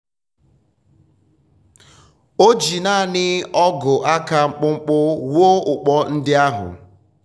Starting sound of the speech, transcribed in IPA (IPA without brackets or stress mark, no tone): o